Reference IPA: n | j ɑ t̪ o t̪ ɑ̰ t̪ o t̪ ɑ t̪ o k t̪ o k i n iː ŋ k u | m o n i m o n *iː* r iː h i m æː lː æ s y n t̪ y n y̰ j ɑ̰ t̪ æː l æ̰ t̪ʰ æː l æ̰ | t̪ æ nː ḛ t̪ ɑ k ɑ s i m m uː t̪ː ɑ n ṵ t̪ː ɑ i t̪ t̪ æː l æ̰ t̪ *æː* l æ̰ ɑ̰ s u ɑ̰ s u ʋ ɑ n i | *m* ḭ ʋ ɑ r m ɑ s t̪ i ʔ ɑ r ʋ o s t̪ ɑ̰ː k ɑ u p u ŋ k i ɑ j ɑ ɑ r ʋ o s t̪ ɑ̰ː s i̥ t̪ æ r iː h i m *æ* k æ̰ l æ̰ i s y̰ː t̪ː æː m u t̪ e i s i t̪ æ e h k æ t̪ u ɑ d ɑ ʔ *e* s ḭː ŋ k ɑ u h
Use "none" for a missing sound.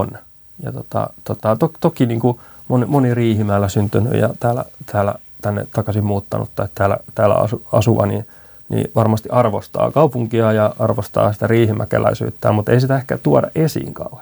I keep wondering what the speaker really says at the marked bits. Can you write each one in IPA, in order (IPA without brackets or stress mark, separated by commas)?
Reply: i, æː, n, æ, e